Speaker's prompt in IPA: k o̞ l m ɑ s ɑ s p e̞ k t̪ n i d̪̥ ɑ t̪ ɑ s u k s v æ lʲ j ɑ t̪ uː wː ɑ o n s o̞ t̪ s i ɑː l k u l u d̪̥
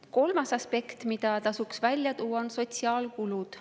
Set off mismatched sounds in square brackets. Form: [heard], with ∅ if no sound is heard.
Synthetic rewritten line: k o̞ l m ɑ s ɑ s p e̞ k t̪ [m] i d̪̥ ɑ t̪ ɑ s u k s v æ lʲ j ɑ t̪ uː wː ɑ o n s o̞ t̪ s i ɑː l k u l u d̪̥